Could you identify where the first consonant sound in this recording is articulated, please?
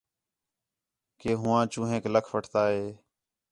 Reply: velar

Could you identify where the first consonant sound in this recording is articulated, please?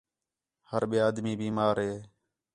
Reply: glottal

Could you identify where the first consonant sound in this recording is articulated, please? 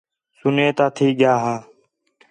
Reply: alveolar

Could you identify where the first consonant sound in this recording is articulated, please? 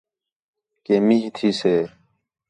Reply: velar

